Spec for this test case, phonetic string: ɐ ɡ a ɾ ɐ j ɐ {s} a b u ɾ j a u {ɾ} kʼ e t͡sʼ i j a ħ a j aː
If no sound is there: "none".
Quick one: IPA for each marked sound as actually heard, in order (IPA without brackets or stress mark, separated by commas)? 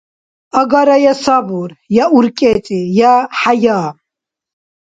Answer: s, ɾ